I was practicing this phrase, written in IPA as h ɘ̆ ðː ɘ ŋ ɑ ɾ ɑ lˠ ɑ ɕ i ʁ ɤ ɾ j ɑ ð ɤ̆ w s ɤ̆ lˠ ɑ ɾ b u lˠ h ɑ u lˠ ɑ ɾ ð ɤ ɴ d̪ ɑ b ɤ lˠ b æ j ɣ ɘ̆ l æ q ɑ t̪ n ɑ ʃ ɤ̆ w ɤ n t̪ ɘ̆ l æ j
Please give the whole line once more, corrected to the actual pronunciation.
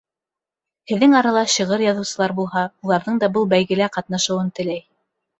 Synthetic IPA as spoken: h ɘ̆ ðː ɘ ŋ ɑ ɾ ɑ lˠ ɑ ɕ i ʁ ɤ ɾ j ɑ ð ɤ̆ w s ɤ̆ lˠ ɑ ɾ b u lˠ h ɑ u lˠ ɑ ɾ ð ɤ ɴ d̪ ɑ b ɤ lˠ b æ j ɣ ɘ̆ l æ q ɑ t̪ n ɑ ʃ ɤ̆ w ɤ n t̪ ɘ̆ l æ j